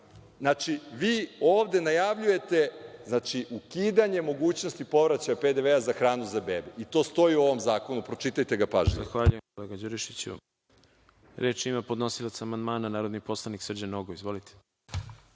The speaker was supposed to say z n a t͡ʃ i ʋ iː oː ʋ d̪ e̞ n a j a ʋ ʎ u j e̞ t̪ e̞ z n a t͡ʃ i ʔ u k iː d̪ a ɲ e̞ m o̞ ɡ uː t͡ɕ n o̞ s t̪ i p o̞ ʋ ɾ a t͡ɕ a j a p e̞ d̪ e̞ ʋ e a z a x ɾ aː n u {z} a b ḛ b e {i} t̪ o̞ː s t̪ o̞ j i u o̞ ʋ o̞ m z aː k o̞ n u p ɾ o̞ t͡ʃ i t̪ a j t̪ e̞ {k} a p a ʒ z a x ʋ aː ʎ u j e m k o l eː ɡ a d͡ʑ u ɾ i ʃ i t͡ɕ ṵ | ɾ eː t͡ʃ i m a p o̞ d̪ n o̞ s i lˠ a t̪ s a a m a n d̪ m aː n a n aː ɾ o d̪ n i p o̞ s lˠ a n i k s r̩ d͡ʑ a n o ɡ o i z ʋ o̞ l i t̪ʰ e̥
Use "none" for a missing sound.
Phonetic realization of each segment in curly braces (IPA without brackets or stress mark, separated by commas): z, i, ɡ